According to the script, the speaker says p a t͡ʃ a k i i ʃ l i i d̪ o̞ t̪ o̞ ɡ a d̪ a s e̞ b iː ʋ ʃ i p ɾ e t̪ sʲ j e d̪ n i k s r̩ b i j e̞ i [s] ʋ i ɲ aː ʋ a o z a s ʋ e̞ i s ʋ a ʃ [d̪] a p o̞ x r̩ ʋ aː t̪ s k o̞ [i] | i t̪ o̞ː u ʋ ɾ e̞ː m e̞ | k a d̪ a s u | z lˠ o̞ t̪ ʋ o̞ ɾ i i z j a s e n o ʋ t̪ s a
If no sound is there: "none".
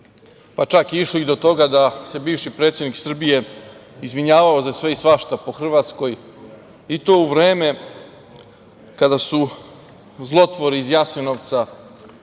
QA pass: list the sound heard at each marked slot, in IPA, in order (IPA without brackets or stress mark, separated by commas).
z, t̪, j